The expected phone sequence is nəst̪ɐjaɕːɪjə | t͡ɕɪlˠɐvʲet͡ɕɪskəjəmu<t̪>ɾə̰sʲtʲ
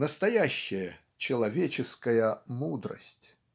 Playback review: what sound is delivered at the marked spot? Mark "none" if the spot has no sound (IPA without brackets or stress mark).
d̪